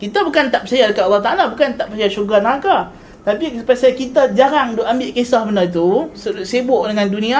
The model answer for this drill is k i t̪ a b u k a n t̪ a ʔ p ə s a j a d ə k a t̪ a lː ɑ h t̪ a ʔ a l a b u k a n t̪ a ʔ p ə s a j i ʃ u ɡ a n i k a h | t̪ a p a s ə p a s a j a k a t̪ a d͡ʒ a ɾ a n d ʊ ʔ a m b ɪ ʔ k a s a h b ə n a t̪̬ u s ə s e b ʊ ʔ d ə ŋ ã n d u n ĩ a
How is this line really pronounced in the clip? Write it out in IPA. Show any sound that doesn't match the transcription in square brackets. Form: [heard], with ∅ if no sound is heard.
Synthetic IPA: k i t̪ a b u k a n t̪ a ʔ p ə s a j a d ə k a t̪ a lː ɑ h t̪ a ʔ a l a b u k a n t̪ a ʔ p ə s a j [a] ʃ u ɡ a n [a] k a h | t̪ a p [i] s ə p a s a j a k [i] t̪ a d͡ʒ a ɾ a [ŋ] d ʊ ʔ a m b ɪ ʔ k [e] s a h b ə n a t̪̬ u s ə s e b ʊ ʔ d ə ŋ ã n d u n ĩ a